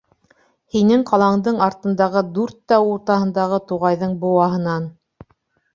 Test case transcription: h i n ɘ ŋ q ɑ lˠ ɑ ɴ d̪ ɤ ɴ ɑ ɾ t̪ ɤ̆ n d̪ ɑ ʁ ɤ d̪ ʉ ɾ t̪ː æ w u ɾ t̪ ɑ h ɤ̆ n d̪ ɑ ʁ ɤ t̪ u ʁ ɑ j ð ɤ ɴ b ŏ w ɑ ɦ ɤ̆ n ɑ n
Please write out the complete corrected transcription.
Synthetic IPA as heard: h i n ɘ ŋ q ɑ lˠ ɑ ɴ d̪ ɤ ɴ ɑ ɾ t̪ ɤ̆ n d̪ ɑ ʁ ɤ d̪ ʉ ɾ t̪ː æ w u ɾ t̪ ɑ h ɤ̆ n d̪ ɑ ʁ ɤ t̪ u ʁ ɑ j ð ɤ ɴ b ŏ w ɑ ɦ ɤ̆ n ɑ n